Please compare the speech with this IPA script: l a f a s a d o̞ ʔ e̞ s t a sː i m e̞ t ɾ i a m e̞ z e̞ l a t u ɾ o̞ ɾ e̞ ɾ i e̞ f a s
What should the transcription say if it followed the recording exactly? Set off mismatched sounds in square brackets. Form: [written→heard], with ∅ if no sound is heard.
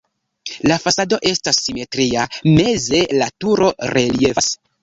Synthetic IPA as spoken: l a f a s a d o̞ ʔ e̞ s t a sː i m e̞ t ɾ i a m e̞ z e̞ l a t u ɾ o̞ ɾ e̞ [ɾ→l] i e̞ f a s